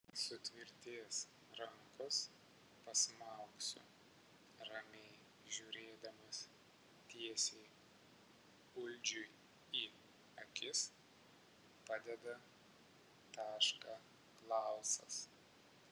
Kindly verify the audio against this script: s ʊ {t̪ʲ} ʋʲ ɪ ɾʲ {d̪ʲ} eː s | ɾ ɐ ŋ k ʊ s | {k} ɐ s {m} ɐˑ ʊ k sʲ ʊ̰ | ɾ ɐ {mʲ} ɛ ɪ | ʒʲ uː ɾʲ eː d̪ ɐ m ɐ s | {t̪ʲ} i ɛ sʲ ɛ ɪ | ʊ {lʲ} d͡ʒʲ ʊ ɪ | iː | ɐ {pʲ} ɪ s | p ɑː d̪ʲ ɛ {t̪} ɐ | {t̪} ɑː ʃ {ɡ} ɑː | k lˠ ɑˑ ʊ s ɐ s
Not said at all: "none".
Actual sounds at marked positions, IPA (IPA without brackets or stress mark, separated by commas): t̪ʲ, t̪ʲ, p, m, mʲ, t̪ʲ, lʲ, kʲ, d̪, t̪, k